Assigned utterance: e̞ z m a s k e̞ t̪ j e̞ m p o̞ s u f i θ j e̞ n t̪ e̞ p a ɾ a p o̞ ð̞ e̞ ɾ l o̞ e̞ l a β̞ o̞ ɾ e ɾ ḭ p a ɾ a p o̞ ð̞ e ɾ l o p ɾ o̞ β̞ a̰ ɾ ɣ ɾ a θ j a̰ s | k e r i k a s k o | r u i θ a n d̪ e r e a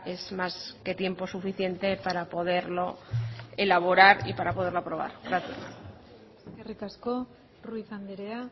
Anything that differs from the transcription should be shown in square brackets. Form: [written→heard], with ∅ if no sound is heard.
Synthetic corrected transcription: e̞ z m a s k e̞ t̪ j e̞ m p o̞ s u f i θ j e̞ n t̪ e̞ p a ɾ a p o̞ ð̞ e̞ ɾ l o̞ e̞ l a β̞ o̞ ɾ [e→a] ɾ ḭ p a ɾ a p o̞ ð̞ e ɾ l o p ɾ o̞ β̞ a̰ ɾ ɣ ɾ a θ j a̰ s | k e r i k a s k o | r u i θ a n d̪ e [r→ɾ] e a